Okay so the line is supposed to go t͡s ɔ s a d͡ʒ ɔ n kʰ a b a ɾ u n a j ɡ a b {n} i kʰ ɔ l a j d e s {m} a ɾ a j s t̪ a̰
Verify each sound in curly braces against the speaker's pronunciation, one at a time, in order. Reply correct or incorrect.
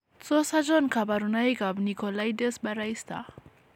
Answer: correct, incorrect: b

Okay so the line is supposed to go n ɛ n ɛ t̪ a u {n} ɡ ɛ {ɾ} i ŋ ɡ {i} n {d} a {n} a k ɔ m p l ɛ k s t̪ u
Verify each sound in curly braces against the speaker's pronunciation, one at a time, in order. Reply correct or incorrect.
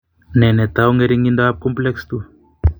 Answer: incorrect: ŋ, correct, correct, correct, incorrect: none

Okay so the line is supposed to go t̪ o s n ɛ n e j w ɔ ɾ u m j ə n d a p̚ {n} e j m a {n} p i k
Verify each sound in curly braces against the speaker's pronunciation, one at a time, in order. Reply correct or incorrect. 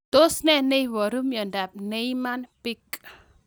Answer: correct, correct

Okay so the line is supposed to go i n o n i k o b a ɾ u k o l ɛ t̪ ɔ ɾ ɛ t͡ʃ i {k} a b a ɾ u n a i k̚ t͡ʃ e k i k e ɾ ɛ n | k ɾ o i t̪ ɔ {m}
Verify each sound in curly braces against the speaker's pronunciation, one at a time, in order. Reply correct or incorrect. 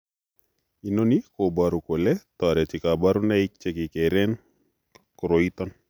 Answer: correct, incorrect: n

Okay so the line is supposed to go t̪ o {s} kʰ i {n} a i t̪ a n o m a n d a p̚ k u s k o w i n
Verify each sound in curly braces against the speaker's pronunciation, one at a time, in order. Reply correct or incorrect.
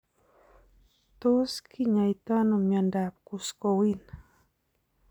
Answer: correct, incorrect: ɲ

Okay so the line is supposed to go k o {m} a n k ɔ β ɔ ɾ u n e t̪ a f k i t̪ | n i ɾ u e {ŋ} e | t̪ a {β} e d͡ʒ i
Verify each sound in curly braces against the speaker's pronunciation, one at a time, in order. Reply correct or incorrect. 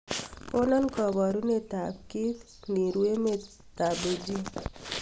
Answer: incorrect: n, incorrect: m, incorrect: b

